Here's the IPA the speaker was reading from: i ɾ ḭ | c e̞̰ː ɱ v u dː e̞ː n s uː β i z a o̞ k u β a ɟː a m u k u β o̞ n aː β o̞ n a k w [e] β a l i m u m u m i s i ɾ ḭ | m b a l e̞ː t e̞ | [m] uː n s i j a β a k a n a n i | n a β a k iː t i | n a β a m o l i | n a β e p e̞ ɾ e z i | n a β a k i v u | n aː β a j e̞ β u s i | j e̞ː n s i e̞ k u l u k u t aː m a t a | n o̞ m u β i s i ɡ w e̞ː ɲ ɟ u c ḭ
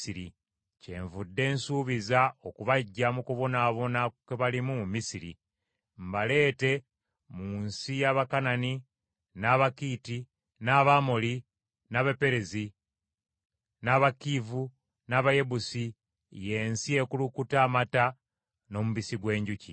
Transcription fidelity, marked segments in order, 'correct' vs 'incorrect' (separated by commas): correct, correct